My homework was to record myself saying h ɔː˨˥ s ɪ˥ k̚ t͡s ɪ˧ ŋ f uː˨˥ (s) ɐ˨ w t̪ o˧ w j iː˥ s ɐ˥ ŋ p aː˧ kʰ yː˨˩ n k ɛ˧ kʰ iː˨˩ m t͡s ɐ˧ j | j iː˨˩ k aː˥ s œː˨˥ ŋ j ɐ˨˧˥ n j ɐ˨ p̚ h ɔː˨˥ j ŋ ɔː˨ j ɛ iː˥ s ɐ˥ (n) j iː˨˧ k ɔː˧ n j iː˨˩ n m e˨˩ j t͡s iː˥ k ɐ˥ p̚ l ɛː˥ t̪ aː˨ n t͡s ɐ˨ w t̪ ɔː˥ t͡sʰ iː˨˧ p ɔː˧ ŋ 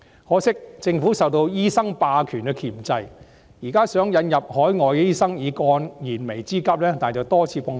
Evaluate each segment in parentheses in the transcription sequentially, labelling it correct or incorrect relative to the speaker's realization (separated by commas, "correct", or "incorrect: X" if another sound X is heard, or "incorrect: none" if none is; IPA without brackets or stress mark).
correct, incorrect: ŋ